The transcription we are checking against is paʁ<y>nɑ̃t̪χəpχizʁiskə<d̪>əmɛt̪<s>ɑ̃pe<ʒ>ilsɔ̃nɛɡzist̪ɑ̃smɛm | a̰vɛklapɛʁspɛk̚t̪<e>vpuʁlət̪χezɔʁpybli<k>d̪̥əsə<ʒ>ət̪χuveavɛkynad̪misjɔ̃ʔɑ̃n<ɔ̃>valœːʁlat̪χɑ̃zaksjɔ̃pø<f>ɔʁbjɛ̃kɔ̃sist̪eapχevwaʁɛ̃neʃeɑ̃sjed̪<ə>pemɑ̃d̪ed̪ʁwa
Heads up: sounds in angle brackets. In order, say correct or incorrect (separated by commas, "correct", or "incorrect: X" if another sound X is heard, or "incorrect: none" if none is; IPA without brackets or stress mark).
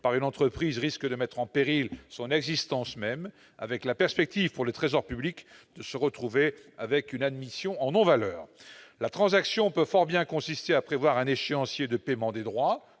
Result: correct, correct, incorrect: χ, incorrect: ʁ, incorrect: i, correct, incorrect: ʁ, correct, correct, correct